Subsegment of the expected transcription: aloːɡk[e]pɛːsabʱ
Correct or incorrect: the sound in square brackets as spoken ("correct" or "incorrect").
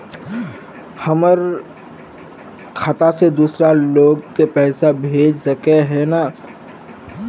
correct